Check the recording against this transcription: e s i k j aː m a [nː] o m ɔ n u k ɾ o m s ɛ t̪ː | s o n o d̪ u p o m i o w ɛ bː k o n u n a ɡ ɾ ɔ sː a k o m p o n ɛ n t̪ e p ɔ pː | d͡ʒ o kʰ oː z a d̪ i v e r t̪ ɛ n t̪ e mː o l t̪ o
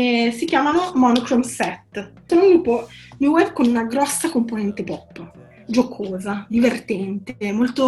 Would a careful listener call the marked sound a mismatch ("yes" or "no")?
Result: yes